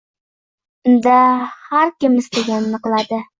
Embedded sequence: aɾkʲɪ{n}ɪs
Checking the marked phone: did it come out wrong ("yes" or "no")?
yes